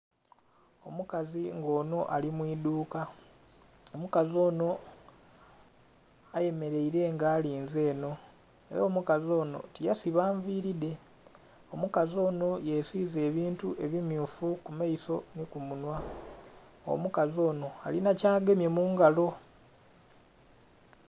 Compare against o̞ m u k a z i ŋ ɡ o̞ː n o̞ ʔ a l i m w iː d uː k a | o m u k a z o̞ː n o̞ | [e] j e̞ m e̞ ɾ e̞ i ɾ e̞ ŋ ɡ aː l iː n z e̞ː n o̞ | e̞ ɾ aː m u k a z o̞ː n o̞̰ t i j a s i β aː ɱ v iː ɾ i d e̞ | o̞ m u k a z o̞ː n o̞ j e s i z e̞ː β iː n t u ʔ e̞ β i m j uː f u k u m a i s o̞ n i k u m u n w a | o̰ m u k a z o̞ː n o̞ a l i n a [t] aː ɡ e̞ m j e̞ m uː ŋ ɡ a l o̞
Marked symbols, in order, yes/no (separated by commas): no, no